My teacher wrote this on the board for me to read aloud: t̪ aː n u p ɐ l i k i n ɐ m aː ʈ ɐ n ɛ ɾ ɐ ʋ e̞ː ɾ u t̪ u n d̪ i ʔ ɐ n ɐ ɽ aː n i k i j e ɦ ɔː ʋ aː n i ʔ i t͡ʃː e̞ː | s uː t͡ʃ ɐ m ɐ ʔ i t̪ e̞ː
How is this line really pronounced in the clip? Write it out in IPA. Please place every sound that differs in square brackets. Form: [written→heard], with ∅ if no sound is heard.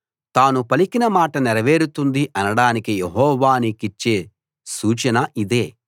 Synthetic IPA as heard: t̪ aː n u p ɐ l i k i n ɐ m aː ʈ ɐ n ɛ ɾ ɐ ʋ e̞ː ɾ u t̪ u n d̪ i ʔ ɐ n ɐ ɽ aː n i k i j e ɦ ɔː ʋ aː n i [ʔ→k] i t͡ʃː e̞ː | s uː t͡ʃ ɐ [m→n] ɐ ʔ i [t̪→d̪] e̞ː